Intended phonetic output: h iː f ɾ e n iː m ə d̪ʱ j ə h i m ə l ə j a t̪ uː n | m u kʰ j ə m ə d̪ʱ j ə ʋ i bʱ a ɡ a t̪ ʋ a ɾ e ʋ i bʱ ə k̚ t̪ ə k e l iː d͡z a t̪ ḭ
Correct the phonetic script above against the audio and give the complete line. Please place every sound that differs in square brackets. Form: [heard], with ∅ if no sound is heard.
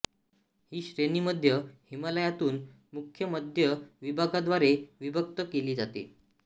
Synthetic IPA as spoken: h iː [ɕ] ɾ e n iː m ə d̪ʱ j ə h i m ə l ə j a t̪ uː n | m u kʰ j ə m ə d̪ʱ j ə ʋ i bʱ a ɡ a [d̪] ʋ a ɾ e ʋ i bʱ ə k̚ t̪ ə k e l iː d͡z a t̪ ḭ